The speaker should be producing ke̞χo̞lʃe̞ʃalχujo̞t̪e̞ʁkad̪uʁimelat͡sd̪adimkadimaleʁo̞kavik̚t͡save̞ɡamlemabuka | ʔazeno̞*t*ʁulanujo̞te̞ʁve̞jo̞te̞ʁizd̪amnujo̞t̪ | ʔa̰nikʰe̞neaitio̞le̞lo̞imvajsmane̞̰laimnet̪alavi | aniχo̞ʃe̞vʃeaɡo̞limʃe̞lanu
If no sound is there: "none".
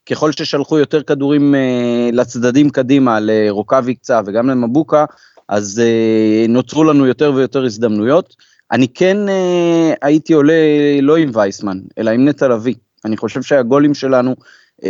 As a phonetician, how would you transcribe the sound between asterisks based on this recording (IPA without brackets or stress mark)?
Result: t͡s